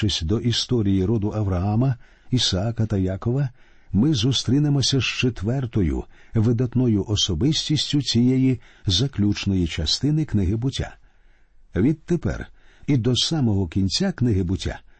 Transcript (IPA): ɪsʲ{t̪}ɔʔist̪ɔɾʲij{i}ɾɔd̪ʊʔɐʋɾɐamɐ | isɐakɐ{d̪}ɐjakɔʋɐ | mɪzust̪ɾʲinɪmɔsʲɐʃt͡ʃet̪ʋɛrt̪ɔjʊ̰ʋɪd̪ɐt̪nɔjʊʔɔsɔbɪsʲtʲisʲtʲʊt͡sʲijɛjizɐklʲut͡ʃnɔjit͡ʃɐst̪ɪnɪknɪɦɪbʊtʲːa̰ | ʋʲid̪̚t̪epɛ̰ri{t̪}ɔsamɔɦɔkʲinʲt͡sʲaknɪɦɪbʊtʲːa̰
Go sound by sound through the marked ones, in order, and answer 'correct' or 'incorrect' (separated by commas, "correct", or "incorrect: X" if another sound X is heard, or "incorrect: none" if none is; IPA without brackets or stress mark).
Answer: incorrect: d̪, correct, incorrect: t̪, incorrect: d̪